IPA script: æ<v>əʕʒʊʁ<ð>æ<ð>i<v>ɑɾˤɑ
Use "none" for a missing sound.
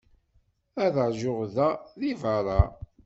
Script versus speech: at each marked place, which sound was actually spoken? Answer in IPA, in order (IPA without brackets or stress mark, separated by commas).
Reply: ð, ð, ð, v